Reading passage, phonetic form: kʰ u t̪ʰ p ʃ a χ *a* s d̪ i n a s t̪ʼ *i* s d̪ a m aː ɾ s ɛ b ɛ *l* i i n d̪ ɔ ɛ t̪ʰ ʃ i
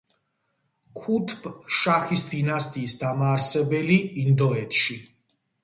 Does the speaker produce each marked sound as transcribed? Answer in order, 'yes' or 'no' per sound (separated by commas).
no, no, yes